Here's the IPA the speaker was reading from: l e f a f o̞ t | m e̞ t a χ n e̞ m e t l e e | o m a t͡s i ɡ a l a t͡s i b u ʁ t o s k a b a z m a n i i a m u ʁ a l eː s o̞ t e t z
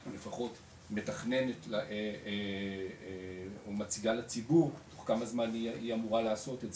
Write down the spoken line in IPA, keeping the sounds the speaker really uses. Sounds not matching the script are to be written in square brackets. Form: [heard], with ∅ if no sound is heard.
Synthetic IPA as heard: l e f a [χ] o̞ t | m e̞ t a χ n e̞ [n] e t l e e | o m a t͡s i ɡ a l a t͡s i b u ʁ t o [χ] k a [m] a z m a n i i a m u ʁ a l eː s o̞ t e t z